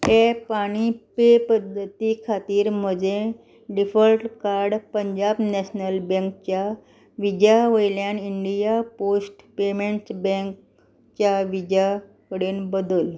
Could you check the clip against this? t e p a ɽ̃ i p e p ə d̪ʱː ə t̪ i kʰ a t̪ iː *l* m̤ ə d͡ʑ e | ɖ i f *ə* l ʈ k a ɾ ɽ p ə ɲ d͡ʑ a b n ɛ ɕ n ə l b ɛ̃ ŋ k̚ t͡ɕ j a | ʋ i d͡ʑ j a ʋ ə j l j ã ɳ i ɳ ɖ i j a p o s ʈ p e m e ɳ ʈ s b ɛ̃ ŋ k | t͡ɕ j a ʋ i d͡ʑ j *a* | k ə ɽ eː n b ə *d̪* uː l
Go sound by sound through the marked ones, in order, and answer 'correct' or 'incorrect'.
incorrect: ɾ, correct, correct, correct

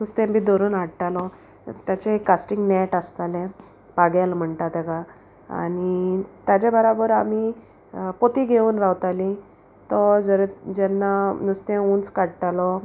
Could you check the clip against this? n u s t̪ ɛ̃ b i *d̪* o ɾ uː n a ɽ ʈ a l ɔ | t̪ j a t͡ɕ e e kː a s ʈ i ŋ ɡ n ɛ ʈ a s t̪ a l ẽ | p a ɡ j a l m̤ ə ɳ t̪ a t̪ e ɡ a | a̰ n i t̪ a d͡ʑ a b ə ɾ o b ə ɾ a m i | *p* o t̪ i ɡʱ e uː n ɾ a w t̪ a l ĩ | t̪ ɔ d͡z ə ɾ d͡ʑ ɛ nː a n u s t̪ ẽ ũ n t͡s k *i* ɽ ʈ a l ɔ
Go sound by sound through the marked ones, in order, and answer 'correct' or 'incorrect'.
correct, correct, incorrect: a

